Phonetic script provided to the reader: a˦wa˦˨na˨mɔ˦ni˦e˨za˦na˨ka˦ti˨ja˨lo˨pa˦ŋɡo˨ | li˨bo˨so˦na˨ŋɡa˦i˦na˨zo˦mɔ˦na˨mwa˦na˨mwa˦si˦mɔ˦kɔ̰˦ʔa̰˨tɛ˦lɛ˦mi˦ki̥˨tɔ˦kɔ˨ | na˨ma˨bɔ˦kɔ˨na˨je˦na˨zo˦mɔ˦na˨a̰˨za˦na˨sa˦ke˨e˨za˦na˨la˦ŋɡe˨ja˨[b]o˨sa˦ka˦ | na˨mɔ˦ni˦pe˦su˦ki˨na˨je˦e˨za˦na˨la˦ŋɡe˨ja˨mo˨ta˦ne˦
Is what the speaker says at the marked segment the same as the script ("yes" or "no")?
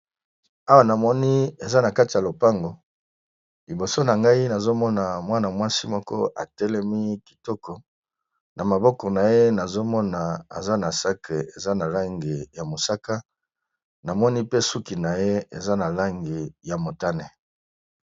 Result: no